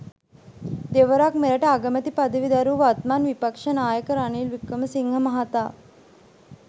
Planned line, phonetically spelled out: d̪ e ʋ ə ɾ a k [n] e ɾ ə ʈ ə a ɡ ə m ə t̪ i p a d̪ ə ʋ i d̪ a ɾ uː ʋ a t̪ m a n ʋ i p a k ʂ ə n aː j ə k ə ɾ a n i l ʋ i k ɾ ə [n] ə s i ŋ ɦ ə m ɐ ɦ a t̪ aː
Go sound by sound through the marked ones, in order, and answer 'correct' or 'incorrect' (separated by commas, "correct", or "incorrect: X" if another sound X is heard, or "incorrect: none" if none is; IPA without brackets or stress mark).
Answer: incorrect: m, incorrect: m